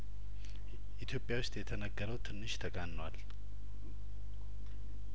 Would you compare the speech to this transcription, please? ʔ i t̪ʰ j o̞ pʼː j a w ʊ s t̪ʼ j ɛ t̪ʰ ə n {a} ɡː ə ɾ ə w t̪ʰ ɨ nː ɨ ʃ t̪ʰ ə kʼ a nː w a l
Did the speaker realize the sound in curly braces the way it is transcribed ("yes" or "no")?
no